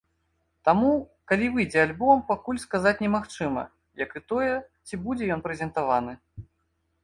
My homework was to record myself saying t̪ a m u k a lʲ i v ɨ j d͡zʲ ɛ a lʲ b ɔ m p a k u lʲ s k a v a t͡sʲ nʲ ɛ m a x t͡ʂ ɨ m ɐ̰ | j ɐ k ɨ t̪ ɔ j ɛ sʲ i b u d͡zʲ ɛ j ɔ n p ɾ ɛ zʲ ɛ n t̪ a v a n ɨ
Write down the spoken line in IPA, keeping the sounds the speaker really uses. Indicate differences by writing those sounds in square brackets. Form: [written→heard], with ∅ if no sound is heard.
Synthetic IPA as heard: t̪ a m u k a lʲ i v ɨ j d͡zʲ ɛ a lʲ b ɔ m p a k u lʲ s k a [v→z] a t͡sʲ nʲ ɛ m a x t͡ʂ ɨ m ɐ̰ | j ɐ k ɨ t̪ ɔ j ɛ [sʲ→t͡sʲ] i b u d͡zʲ ɛ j ɔ n p ɾ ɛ zʲ ɛ n t̪ a v a n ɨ